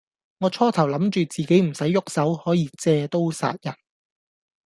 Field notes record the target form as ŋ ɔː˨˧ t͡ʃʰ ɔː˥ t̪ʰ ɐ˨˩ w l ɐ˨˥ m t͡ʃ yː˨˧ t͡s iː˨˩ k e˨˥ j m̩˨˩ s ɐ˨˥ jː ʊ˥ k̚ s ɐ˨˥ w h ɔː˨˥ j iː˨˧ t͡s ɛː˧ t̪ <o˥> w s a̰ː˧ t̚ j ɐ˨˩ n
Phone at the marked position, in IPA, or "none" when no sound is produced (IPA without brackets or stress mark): o˥